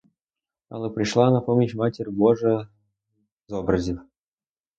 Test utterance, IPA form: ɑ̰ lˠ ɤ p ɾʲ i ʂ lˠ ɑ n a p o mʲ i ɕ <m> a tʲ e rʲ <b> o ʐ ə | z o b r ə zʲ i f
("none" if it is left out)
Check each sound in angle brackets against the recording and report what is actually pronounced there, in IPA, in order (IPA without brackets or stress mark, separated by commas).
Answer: m, b